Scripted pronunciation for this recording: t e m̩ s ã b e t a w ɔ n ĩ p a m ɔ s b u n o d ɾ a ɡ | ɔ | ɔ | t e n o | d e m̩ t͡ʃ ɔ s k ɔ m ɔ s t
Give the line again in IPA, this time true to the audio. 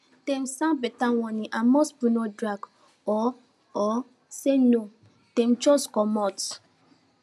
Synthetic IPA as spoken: t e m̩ s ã b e t a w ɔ n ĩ ʔ a m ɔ s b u n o d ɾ a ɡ | ɔ | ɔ | s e n o | t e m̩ t͡ʃ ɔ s k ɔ m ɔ t